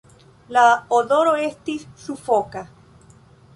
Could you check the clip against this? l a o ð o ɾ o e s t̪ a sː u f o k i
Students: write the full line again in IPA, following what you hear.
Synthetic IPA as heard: l a o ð o ɾ o e s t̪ i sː u f o k a